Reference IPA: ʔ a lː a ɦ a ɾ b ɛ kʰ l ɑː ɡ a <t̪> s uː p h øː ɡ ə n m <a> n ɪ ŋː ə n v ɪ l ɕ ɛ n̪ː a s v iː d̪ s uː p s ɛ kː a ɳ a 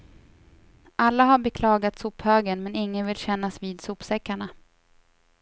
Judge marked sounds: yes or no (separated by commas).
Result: yes, no